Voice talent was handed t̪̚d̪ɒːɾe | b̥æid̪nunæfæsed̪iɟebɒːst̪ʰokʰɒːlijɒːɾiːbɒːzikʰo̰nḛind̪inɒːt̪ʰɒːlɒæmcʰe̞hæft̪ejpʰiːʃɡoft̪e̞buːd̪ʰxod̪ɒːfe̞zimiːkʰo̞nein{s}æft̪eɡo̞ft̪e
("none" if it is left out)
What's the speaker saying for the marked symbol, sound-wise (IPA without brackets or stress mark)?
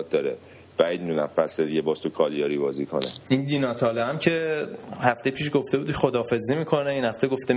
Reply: h